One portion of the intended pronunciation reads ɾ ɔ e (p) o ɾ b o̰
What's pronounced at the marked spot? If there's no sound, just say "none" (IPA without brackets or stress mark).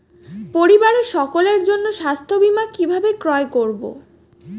k